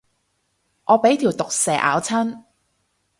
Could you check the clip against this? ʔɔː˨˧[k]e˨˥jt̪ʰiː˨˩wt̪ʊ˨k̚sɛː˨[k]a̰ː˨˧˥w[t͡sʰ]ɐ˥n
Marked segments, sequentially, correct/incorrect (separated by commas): incorrect, incorrect, correct